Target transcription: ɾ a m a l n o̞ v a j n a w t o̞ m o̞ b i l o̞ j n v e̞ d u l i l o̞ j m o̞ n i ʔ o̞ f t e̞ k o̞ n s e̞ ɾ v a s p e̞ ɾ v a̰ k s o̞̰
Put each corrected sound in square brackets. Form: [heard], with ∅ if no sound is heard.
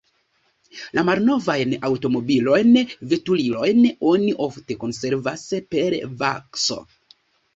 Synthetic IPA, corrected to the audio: [l] a m a l n o̞ v a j n a w t o̞ m o̞ b i l o̞ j n v e̞ [t] u l i l o̞ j [n] o̞ n i ʔ o̞ f t e̞ k o̞ n s e̞ ɾ v a s p e̞ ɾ v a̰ k s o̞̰

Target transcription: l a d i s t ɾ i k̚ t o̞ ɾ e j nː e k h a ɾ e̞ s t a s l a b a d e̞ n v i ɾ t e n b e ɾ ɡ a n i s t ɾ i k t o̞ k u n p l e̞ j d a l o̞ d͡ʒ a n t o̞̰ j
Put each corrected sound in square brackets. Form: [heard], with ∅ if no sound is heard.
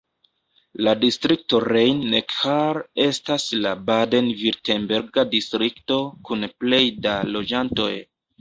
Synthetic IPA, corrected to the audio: l a d i s t ɾ i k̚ t o̞ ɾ e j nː e k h a ɾ e̞ s t a s l a b a d e̞ n v i ɾ t e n b e ɾ ɡ a [d] i s t ɾ i k t o̞ k u n p l e̞ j d a l o̞ d͡ʒ a n t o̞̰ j

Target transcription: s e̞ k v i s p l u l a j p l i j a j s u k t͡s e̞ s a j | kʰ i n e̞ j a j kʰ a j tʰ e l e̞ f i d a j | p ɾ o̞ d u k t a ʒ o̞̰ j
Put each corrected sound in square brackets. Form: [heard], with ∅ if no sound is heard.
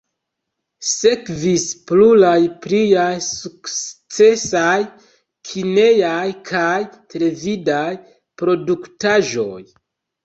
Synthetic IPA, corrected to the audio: s e̞ k v i s p l u l a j p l i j a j s u k t͡s e̞ s a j | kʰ i n e̞ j a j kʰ a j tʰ e l e̞ [v] i d a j | p ɾ o̞ d u k t a ʒ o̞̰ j

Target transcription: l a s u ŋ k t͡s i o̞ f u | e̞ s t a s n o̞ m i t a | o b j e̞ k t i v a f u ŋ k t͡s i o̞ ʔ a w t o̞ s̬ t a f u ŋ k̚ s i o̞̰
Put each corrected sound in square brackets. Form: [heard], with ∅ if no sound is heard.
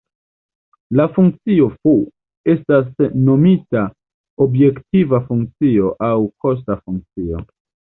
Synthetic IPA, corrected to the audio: l a [f] u ŋ k t͡s i o̞ f u | e̞ s t a s n o̞ m i t a | o b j e̞ k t i v a f u ŋ k t͡s i o̞ ʔ a w [k] o̞ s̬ t a f u ŋ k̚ [t͡s] i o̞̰

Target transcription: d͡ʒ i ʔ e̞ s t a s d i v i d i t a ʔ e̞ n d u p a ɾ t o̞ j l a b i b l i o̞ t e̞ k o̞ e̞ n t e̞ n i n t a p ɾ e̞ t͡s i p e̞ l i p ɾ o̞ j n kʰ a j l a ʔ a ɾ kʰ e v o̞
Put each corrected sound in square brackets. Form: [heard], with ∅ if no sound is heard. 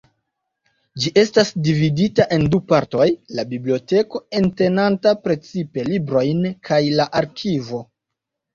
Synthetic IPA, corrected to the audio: d͡ʒ i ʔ e̞ s t a s d i v i d i t a ʔ e̞ n d u p a ɾ t o̞ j l a b i b l i o̞ t e̞ k o̞ e̞ n t e̞ n [a] n t a p ɾ e̞ t͡s i p e̞ l i [b] ɾ o̞ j n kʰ a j l a ʔ a ɾ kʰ [i] v o̞

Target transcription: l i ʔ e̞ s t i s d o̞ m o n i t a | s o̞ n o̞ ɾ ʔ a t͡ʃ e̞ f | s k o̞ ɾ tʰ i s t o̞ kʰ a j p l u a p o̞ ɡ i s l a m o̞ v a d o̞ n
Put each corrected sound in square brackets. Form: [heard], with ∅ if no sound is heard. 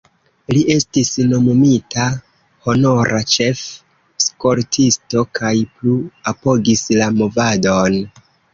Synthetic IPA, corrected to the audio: l i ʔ e̞ s t i s [n] o̞ m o [m] i t a | [h] o̞ n o̞ ɾ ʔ a t͡ʃ e̞ f | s k o̞ ɾ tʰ i s t o̞ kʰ a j p l u a p o̞ ɡ i s l a m o̞ v a d o̞ n

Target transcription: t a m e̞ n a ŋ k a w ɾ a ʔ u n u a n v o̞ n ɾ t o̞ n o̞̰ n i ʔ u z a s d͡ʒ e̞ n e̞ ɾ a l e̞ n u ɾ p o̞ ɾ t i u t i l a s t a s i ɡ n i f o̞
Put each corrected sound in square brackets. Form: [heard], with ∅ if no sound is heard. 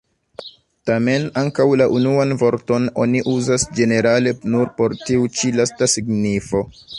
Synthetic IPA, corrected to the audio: t a m e̞ n a ŋ k a w [l] a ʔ u n u a n v o̞ [∅] ɾ t o̞ n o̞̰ n i ʔ u z a s d͡ʒ e̞ n e̞ ɾ a l e̞ n u ɾ p o̞ ɾ t i u [t͡ʃ] i l a s t a s i ɡ n i f o̞

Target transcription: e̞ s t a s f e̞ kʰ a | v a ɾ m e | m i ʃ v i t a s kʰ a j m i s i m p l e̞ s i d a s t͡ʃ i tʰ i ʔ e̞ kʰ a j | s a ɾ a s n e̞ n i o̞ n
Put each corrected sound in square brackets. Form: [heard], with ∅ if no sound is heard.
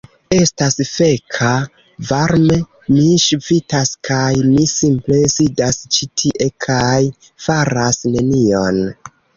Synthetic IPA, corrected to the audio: e̞ s t a s f e̞ kʰ a | v a ɾ m e | m i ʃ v i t a s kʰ a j m i s i m p l e̞ s i d a s t͡ʃ i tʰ i ʔ e̞ kʰ a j | [f] a ɾ a s n e̞ n i o̞ n

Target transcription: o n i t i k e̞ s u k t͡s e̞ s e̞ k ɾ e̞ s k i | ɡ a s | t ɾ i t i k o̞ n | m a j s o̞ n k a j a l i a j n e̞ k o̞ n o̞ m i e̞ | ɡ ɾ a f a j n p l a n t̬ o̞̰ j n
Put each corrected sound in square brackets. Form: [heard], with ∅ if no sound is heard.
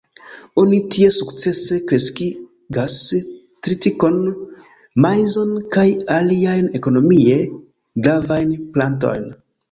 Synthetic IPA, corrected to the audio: o n i t i [∅] e̞ s u k t͡s e̞ s e̞ k ɾ e̞ s k i | ɡ a s | t ɾ i t i k o̞ n | m a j [z] o̞ n k a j a l i a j n e̞ k o̞ n o̞ m i e̞ | ɡ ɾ a [v] a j n p l a n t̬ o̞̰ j n

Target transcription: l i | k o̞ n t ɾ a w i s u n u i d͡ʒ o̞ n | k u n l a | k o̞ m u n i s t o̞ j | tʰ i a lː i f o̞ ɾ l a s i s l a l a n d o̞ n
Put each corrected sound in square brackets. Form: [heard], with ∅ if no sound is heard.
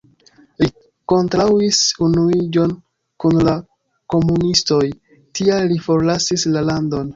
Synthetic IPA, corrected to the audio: l i | k o̞ n t ɾ a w i s u n u i d͡ʒ o̞ n | k u n l a | k o̞ m u n i s t o̞ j | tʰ i a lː i f o̞ ɾ l a s i s l a l a n d o̞ n

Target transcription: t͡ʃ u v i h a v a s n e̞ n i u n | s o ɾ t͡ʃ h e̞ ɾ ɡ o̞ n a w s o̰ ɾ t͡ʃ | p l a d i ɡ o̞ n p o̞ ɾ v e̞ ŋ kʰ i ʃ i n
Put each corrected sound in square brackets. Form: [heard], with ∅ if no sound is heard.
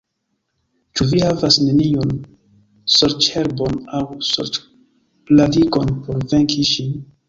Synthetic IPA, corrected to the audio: t͡ʃ u v i h a v a s n e̞ n i [o] n | s o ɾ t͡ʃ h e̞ ɾ [b] o̞ n a w s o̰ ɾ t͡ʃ | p l a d i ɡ o̞ n p o̞ ɾ v e̞ ŋ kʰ i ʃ i n

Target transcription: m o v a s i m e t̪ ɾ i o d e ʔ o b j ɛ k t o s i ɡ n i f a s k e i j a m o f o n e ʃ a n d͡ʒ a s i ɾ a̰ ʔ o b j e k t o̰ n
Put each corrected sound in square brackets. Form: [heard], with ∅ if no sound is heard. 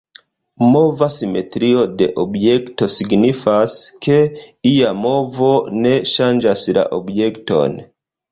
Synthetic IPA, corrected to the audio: m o v a s i m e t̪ ɾ i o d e ʔ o b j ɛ k t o s i ɡ n i f a s k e i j a m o [v] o n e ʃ a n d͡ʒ a s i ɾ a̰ ʔ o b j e k t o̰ n

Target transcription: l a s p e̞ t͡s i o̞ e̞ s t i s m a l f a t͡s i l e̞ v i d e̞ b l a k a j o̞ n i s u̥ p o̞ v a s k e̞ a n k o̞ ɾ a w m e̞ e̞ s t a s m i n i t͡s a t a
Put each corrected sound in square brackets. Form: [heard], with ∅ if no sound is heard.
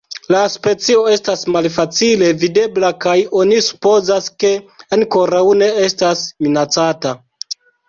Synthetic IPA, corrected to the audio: l a s p e̞ t͡s i o̞ e̞ s t [a] s m a l f a t͡s i l e̞ v i d e̞ b l a k a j o̞ n i s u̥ p o̞ [z] a s k e̞ a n k o̞ ɾ a w [n] e̞ e̞ s t a s m i n [a] t͡s a t a

